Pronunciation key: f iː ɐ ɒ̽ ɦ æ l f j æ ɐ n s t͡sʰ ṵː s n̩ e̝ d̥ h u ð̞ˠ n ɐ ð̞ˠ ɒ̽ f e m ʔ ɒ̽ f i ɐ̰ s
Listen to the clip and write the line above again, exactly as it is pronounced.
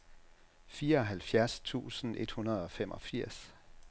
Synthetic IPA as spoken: f iː ɐ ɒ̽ ɦ æ l f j æ ɐ s t͡sʰ ṵː s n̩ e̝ d̥ h u n ɐ ð̞ˠ ɒ̽ f e m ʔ ɒ̽ f i ɐ̰ s